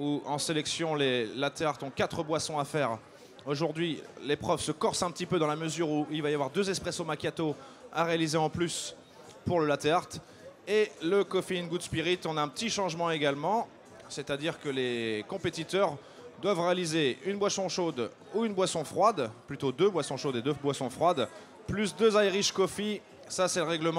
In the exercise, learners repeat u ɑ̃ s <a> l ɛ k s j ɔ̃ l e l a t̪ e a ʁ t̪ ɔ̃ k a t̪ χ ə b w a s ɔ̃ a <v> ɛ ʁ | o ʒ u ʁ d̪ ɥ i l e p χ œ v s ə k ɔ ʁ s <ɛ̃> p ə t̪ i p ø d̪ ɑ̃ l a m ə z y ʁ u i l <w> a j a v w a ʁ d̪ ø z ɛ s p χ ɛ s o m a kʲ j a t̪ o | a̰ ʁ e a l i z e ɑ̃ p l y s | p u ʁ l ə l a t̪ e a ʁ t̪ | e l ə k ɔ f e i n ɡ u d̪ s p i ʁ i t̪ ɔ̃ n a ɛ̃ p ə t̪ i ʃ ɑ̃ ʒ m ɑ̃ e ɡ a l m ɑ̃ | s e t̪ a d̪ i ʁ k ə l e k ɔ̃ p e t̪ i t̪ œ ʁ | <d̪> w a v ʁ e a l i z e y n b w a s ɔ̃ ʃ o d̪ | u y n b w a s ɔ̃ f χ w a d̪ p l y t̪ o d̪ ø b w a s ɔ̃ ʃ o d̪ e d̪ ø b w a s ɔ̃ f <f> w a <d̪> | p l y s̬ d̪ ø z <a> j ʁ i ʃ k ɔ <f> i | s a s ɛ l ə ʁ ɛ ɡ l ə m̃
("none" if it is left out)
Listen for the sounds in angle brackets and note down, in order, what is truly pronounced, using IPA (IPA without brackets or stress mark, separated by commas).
e, f, ɛ̃, v, d̪, χ, d̪, a, f